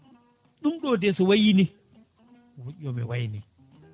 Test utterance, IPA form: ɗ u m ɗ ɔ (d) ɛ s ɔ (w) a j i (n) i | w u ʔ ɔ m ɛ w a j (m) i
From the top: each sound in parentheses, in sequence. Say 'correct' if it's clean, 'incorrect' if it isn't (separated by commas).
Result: correct, correct, correct, incorrect